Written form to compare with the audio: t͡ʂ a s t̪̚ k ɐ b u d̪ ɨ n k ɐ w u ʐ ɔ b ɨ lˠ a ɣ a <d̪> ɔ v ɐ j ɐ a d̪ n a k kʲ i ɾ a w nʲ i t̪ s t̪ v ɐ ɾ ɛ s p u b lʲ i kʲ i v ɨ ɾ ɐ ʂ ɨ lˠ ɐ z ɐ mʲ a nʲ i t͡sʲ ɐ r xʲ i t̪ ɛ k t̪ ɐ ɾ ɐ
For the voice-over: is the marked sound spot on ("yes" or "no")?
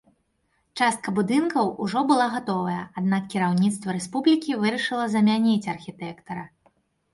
no